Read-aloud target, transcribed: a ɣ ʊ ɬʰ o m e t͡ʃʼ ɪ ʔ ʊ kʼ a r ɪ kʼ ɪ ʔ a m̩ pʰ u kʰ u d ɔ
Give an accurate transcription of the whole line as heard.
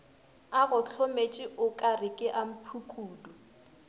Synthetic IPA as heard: a ɣ ʊ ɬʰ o m e t͡ʃʼ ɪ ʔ ʊ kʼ a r ɪ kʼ ɪ ʔ a m̩ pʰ u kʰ uː d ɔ